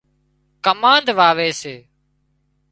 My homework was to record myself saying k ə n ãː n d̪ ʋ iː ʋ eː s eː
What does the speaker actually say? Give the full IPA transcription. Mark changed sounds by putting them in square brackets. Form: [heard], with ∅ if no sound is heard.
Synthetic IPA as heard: k ə [m] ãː n d̪ ʋ [aː] ʋ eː s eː